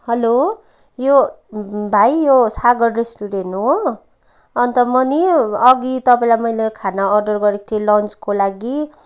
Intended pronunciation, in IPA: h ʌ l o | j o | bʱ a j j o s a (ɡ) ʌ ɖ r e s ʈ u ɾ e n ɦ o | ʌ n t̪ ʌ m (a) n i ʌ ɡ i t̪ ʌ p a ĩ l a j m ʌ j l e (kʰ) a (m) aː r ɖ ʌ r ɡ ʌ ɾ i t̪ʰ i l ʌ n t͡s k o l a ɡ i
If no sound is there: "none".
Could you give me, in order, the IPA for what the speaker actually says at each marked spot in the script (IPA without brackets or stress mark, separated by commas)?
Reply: ɡ, ʌ, kʰ, n